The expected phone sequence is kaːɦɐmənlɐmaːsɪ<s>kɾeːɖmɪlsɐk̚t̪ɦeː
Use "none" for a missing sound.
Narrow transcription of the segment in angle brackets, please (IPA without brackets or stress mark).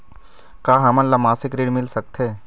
none